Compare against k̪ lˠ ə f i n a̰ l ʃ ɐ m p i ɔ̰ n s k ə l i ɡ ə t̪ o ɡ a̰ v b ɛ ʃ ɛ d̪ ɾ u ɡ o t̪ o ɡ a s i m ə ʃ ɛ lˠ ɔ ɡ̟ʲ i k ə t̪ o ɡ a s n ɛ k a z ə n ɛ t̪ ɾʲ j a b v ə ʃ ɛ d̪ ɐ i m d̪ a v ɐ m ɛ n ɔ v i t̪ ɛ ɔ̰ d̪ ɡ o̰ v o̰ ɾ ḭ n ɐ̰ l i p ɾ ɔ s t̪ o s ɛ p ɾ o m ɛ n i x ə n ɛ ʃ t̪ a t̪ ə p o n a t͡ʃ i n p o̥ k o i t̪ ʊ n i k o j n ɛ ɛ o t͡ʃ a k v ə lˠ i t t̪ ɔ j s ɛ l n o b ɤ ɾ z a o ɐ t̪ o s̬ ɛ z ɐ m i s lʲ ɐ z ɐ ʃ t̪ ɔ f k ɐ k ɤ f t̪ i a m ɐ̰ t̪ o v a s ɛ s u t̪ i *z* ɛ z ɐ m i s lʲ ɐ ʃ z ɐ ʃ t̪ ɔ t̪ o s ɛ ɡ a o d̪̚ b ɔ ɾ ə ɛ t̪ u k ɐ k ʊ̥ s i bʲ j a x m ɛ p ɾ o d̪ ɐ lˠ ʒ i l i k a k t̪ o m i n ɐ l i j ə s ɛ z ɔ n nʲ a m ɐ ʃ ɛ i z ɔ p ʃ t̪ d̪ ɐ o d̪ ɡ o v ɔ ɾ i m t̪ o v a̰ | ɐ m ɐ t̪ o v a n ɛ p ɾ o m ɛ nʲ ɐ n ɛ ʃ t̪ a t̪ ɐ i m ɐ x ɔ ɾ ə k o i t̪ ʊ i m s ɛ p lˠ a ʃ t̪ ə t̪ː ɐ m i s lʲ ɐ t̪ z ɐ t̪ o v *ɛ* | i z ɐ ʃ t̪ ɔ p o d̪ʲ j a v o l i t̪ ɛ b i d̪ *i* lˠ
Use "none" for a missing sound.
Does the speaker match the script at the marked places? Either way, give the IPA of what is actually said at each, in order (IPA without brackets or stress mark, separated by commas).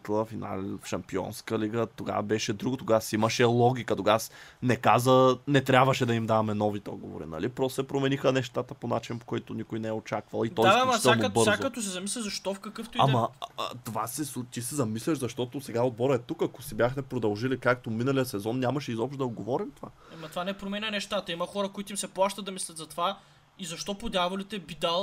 s, a, a